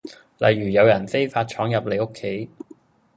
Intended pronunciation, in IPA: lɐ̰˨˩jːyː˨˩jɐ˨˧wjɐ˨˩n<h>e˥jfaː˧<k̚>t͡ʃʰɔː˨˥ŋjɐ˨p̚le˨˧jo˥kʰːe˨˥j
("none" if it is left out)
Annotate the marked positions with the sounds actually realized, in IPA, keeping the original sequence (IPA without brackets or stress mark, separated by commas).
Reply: f, t̚